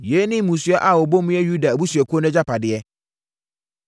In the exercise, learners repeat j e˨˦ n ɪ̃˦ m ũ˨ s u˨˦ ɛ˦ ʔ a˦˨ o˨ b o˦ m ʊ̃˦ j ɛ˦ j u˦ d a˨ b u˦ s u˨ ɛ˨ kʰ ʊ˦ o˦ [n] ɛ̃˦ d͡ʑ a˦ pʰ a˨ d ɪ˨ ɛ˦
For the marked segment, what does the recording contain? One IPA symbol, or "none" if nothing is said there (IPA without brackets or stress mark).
n